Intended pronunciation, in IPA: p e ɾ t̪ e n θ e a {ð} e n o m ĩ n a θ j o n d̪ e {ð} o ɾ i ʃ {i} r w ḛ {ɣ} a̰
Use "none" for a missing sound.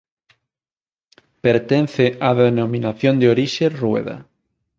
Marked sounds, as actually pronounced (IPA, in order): ð, none, e, ð

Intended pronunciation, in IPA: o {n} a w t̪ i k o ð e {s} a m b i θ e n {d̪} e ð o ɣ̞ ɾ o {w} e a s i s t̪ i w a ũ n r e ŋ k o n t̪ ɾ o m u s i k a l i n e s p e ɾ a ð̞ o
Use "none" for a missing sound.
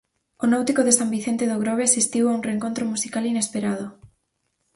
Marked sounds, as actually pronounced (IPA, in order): n, s, t̪, β

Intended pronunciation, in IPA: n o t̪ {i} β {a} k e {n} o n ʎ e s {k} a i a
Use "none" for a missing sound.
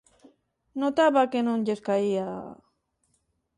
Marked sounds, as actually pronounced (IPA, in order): a, a, n, k

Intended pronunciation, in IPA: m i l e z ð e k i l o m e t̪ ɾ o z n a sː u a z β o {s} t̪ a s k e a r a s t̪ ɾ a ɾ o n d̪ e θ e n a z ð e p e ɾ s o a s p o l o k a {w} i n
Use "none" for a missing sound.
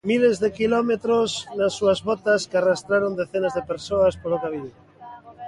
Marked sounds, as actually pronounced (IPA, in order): none, β

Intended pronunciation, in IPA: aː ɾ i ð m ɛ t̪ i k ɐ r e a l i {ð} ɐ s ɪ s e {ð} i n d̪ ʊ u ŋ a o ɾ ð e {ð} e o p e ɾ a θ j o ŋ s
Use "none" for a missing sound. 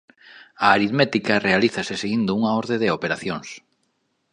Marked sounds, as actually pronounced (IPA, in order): θ, ɣ, ð

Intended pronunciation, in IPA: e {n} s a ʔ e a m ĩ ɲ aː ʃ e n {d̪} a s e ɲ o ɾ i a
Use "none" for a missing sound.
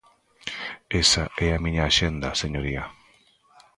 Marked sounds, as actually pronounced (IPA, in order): none, d̪

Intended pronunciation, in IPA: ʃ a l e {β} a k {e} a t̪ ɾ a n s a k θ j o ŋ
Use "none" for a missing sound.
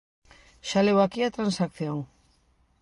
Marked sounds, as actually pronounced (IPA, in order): w, i

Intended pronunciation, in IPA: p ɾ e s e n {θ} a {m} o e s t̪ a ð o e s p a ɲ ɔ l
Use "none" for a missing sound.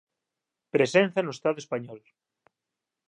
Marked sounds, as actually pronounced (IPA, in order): θ, n

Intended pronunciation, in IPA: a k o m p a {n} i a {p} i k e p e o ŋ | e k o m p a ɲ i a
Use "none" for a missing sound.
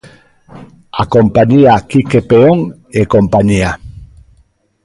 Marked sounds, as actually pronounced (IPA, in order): ɲ, k

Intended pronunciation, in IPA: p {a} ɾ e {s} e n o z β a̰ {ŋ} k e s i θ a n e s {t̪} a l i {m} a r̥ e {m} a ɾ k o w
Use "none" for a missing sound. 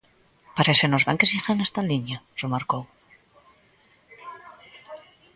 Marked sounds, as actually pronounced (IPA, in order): a, s, ŋ, t̪, ɲ, m

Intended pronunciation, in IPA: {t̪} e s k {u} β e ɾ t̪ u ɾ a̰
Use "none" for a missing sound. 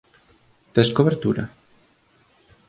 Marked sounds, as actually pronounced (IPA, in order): t̪, o

